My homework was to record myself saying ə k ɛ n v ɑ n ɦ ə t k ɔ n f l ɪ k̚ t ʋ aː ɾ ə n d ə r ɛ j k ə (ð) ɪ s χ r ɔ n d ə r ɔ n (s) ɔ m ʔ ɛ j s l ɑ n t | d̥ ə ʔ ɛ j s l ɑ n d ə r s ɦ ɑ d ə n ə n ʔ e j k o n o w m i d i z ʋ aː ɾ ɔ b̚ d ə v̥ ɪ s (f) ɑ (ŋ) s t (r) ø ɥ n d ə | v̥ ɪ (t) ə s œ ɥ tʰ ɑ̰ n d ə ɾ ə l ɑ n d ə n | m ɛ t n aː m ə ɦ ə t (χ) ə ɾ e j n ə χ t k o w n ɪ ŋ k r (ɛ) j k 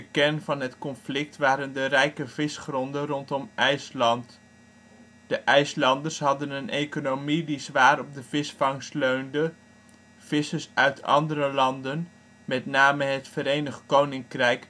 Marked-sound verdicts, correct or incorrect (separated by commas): incorrect, incorrect, correct, correct, incorrect, incorrect, incorrect, correct